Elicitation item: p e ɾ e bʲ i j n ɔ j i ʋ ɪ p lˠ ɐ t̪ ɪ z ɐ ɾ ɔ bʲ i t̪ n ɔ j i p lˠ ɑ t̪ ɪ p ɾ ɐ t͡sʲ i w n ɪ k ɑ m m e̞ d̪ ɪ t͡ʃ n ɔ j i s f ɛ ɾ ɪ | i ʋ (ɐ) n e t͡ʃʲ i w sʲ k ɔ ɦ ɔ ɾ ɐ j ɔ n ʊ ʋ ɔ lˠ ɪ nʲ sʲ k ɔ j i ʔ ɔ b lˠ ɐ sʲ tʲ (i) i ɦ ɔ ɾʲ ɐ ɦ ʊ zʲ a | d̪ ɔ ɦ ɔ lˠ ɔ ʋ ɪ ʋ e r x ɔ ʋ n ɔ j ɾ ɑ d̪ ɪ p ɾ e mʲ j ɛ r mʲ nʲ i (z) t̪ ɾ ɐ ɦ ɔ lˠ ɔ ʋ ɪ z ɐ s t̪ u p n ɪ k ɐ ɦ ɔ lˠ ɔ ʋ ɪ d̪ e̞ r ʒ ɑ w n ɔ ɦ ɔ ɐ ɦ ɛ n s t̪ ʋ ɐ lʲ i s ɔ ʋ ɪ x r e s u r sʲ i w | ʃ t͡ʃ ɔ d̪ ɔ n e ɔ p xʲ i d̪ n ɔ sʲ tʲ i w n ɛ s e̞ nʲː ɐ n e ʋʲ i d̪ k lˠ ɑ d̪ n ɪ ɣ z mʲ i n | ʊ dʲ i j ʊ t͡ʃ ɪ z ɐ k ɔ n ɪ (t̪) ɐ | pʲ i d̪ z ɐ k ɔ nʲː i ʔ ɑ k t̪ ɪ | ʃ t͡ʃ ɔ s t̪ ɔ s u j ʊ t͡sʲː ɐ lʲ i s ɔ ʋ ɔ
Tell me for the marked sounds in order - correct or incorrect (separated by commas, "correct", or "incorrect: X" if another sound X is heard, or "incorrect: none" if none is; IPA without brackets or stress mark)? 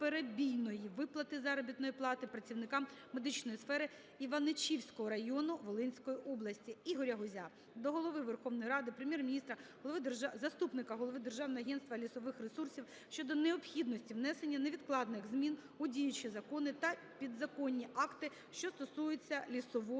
correct, correct, incorrect: s, correct